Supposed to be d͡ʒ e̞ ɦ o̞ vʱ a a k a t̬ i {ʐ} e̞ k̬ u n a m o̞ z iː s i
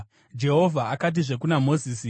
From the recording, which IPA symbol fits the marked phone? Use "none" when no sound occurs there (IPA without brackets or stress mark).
ʐ